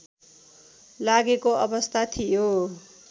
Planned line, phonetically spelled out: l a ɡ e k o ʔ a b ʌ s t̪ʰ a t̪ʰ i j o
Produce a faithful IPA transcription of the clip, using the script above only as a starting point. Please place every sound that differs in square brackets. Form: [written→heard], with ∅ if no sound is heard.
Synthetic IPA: l a ɡ e k o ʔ [a→ʌ] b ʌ s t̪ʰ a t̪ʰ i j o